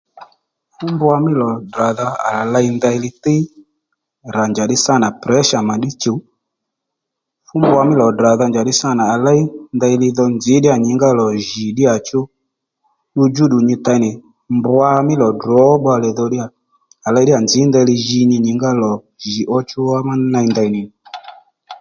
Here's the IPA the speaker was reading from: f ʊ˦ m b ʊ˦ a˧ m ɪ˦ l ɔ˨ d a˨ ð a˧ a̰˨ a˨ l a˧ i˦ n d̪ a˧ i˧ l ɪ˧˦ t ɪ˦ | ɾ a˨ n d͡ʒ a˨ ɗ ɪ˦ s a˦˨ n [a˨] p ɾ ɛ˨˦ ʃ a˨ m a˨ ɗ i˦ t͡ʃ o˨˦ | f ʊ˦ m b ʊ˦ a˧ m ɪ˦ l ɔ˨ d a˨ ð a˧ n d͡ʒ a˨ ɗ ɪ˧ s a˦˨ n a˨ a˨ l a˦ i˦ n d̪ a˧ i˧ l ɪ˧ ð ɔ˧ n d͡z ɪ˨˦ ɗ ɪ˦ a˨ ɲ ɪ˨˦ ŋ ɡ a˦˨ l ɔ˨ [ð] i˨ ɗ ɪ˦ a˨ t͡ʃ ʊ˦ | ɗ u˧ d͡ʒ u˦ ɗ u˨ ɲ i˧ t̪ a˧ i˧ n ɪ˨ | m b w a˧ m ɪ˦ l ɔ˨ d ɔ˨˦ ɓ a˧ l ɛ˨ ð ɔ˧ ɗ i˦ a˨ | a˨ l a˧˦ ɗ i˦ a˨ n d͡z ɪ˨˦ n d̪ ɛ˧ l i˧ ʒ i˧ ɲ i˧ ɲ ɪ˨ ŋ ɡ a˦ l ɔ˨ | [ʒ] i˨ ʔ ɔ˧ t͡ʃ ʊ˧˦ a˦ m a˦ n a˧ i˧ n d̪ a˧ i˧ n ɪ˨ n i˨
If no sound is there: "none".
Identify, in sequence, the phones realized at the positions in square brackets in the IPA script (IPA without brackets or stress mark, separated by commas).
a˨, ʒ, ʒ